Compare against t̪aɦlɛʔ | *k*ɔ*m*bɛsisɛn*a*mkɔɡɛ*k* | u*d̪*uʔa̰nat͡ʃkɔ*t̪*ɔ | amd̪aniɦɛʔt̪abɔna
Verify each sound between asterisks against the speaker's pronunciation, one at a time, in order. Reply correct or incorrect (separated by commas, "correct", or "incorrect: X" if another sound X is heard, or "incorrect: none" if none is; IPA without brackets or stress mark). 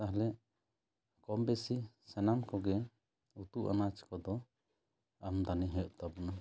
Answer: correct, correct, correct, incorrect: none, incorrect: t̪, incorrect: d̪